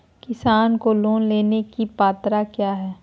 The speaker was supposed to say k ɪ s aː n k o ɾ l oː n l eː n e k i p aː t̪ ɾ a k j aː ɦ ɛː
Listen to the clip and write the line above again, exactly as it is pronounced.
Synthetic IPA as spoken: k ɪ s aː n k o l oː n l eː n e k i p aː t̪ ɾ a k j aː ɦ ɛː